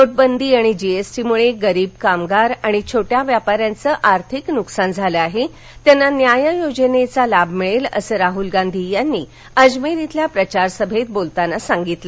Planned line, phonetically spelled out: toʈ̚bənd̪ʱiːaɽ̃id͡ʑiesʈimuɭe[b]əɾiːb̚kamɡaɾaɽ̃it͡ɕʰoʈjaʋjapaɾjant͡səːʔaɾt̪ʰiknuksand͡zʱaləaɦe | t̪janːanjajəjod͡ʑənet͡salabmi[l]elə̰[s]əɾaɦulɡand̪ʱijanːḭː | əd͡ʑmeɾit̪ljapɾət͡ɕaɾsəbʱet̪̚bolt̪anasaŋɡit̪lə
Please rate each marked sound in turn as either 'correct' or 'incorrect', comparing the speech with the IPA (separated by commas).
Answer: incorrect, incorrect, correct